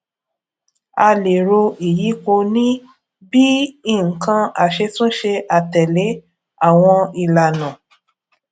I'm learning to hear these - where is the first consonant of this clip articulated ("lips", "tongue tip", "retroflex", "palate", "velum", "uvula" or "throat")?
tongue tip